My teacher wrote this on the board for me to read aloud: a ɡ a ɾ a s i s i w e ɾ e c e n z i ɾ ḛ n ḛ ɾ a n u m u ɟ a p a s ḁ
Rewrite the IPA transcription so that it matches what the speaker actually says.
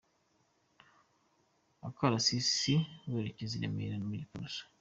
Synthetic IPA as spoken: a k a ɾ a s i s i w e ɾ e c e z i ɾ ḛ m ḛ ɾ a n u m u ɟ i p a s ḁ

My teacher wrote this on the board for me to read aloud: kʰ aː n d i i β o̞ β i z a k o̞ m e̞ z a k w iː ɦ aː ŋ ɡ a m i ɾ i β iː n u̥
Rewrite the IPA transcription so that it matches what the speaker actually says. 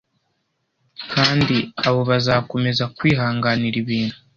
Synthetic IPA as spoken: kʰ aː n d i a β o̞ β a z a k o̞ m e̞ z a k w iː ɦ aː ŋ ɡ a n i ɾ i β iː n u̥

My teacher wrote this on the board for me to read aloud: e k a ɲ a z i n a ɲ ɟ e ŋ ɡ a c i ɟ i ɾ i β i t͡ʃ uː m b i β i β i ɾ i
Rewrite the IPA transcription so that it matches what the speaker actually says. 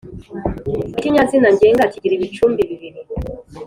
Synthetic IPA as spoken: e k i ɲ a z i n a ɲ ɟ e ŋ ɡ a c i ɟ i ɾ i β i t͡ʃ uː m b i β i β i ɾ i

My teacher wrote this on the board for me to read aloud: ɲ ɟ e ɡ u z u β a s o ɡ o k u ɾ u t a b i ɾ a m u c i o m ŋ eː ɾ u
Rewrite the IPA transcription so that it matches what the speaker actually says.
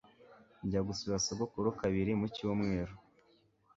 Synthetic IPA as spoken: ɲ ɟ a ɡ u s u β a s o ɡ o k u ɾ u k a β i ɾ i m u c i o m ŋ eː ɾ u

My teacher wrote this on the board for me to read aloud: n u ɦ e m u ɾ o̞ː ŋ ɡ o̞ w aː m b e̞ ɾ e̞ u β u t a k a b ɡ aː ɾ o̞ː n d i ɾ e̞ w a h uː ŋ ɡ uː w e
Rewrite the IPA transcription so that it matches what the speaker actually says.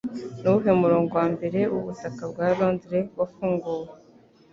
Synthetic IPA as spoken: n u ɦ e m u ɾ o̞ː ŋ ɡ o̞ w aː m b e̞ ɾ e̞ u β u t a k a b ɡ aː ɾ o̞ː n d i ɾ e̞ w a f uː ŋ ɡ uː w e

